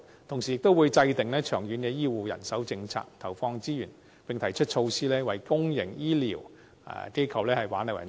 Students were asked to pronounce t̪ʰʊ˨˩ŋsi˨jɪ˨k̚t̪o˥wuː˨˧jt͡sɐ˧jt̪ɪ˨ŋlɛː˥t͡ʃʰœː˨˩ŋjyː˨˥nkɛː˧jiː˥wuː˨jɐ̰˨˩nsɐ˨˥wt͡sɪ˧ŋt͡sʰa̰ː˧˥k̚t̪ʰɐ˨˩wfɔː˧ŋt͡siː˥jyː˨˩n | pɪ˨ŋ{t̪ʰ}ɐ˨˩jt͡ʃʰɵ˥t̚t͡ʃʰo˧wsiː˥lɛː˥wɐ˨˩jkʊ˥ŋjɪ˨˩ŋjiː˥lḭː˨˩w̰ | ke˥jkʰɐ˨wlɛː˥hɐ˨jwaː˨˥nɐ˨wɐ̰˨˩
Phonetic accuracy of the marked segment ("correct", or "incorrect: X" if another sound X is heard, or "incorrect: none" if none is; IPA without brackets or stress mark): correct